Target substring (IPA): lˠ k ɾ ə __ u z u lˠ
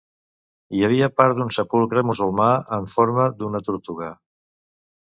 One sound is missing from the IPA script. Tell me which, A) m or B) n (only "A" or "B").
A